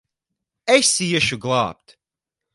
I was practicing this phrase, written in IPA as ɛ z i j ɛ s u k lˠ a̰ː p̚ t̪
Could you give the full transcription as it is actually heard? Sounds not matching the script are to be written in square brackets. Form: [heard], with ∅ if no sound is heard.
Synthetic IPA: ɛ [s] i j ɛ [ʃ] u [ɡ] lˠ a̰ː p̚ t̪